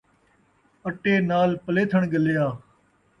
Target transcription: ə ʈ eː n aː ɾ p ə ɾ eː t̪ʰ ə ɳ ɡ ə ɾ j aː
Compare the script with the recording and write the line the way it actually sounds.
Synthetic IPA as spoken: ə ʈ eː n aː l p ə l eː t̪ʰ ə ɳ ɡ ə l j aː